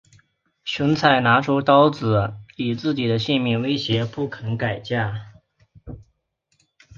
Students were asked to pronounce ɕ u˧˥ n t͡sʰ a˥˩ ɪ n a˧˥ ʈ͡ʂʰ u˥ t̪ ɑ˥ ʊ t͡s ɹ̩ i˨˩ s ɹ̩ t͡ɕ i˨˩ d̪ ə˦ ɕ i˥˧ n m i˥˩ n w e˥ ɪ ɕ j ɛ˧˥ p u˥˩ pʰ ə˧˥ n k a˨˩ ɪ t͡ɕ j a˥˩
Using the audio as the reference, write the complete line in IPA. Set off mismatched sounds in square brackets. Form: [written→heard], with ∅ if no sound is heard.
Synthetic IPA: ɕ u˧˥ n t͡sʰ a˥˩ ɪ n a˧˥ ʈ͡ʂʰ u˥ t̪ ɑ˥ ʊ t͡s ɹ̩ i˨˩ [s→t͡s] ɹ̩ t͡ɕ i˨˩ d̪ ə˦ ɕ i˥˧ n m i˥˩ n w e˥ ɪ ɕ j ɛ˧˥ p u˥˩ [pʰ→kʰ] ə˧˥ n k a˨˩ ɪ t͡ɕ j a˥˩